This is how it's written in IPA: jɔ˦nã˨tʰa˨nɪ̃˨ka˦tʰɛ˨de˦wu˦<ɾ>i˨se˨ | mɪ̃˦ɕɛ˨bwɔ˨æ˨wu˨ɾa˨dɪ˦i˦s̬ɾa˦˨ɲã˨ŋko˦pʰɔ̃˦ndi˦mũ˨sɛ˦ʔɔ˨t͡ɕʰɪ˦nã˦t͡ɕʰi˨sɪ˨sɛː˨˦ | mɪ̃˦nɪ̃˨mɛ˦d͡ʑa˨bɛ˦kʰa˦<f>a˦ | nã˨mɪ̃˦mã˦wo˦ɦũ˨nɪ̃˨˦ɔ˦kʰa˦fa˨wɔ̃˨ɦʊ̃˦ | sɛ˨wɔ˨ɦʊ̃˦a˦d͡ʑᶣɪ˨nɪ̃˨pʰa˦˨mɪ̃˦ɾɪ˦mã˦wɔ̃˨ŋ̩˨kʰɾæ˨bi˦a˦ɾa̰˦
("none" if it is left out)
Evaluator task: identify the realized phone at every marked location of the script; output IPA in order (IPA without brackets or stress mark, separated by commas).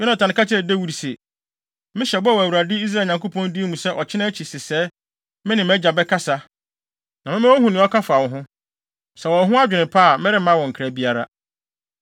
ɾ, s